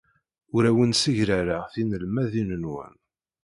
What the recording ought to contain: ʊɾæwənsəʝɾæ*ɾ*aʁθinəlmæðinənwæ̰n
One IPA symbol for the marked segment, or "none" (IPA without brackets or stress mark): ɾ